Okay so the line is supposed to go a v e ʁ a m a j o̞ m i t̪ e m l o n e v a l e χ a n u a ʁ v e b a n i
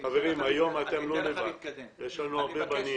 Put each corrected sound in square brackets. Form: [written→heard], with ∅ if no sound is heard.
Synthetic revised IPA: a v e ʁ [a→i] m a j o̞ m [i→a] t̪ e m l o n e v a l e [χ→ʃ] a n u a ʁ [v→b] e b a n i